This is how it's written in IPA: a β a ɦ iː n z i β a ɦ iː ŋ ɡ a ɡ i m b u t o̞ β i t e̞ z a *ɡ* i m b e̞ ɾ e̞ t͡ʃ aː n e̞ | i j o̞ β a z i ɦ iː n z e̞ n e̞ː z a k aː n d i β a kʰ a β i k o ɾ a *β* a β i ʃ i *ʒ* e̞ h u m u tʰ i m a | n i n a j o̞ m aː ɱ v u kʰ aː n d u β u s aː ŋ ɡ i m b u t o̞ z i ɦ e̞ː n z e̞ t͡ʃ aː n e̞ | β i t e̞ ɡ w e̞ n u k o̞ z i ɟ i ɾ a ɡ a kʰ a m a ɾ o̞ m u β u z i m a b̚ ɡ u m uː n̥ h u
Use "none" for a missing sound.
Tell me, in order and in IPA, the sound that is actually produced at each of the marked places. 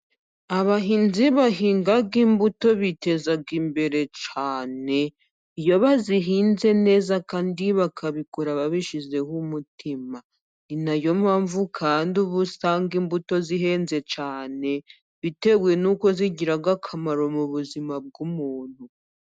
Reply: ɡ, β, z

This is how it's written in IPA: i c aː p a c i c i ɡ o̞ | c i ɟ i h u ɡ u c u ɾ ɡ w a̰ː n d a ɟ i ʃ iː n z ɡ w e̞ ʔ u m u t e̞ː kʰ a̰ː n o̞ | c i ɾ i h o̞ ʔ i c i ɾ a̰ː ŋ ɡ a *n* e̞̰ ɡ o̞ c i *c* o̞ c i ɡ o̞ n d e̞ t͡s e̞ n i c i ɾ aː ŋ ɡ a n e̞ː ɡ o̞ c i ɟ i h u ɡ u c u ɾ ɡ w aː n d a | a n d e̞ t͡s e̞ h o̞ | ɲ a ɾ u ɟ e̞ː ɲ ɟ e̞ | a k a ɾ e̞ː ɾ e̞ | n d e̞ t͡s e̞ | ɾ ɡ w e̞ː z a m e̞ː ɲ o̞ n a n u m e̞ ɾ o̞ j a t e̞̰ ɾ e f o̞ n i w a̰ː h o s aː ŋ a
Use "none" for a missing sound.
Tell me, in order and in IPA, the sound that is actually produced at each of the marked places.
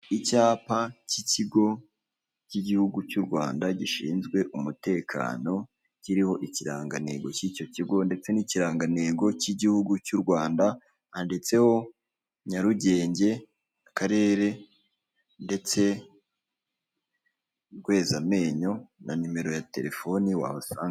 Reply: n, c

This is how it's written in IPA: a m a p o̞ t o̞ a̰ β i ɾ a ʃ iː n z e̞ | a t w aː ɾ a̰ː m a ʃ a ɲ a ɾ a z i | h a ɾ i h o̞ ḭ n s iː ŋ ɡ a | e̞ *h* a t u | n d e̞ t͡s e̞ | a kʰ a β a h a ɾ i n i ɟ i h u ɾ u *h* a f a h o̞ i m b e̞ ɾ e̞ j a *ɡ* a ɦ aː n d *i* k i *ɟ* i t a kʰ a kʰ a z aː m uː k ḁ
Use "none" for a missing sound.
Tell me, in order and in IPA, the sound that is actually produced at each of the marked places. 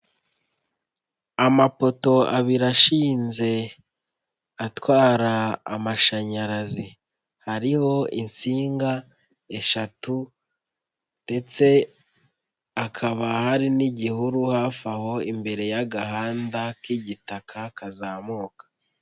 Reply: ʃ, h, ɡ, a, ɟ

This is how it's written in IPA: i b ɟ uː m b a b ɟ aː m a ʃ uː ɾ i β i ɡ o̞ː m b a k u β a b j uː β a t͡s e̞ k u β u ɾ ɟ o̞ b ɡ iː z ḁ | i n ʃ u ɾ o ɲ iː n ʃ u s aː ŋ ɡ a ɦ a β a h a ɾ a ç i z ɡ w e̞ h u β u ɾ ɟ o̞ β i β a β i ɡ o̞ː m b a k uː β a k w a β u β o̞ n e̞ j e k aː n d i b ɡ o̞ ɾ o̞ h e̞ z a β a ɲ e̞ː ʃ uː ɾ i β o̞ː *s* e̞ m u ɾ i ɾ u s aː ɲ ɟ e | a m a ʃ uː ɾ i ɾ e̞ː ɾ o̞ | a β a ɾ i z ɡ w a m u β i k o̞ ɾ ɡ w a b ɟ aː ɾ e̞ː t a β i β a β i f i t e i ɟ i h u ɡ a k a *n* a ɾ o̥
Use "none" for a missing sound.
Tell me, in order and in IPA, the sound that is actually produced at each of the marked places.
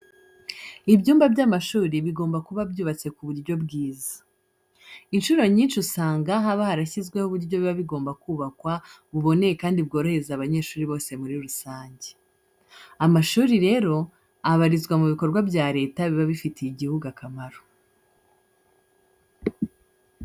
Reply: s, m

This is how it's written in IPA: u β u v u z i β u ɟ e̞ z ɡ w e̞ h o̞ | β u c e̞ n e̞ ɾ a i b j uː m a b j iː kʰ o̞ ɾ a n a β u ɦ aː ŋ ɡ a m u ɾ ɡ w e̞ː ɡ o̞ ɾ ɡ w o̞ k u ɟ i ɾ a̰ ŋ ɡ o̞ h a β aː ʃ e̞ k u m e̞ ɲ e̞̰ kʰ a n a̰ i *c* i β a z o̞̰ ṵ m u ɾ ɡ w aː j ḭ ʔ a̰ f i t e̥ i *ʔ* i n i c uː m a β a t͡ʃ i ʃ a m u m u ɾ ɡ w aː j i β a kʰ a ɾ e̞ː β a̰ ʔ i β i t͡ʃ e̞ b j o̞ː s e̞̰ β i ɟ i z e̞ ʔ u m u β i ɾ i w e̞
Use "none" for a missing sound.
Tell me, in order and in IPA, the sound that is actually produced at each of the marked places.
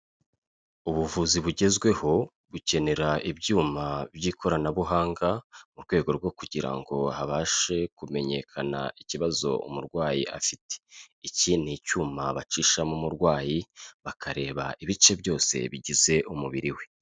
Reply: c, c

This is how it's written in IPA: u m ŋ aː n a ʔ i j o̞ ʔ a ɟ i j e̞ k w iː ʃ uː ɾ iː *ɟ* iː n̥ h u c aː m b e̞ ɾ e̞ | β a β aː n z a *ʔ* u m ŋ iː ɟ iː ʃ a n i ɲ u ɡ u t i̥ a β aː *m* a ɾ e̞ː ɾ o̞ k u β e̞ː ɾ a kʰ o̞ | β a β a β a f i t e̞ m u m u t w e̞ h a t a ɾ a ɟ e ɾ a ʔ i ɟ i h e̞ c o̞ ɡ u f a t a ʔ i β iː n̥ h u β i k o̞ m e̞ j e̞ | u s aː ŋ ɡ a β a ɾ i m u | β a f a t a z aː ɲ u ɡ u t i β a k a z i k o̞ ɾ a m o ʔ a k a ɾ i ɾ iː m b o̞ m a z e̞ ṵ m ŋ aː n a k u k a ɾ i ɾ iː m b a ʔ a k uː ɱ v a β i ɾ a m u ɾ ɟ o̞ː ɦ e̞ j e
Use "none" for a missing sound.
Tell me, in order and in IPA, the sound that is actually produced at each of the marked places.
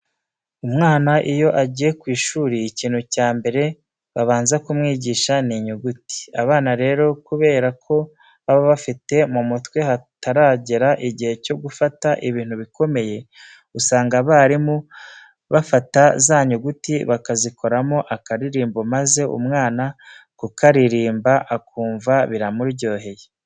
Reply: c, k, n

